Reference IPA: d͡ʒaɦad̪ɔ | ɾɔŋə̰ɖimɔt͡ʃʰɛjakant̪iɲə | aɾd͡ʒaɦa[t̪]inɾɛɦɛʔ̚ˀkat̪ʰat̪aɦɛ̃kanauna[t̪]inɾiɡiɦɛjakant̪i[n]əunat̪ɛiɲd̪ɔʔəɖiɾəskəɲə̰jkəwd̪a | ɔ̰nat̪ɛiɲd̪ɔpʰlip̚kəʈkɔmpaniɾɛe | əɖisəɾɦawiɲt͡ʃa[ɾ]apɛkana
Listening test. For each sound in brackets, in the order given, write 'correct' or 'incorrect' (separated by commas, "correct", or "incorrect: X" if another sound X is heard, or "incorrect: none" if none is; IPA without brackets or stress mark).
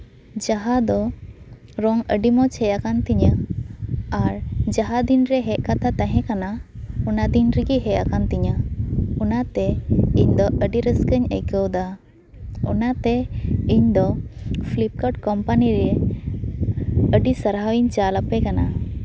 incorrect: d̪, incorrect: d̪, incorrect: ɲ, incorrect: l